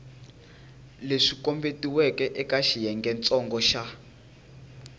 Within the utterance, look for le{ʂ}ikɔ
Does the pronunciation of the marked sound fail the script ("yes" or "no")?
no